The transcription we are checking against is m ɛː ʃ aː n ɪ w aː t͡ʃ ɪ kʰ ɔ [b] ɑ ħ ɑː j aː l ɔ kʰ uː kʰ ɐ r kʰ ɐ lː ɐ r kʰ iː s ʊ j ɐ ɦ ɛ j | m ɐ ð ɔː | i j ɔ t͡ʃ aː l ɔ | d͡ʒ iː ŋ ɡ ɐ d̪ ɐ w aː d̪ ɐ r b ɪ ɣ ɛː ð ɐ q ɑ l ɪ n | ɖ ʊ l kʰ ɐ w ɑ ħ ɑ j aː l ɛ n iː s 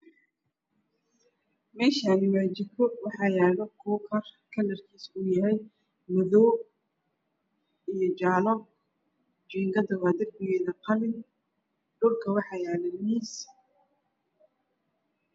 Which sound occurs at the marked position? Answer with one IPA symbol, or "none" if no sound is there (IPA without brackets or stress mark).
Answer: w